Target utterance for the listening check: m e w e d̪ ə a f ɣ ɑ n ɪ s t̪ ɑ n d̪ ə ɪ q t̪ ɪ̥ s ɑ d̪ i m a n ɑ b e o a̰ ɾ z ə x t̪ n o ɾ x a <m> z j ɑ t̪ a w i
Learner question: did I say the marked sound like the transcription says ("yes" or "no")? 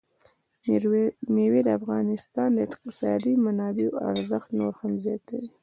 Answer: yes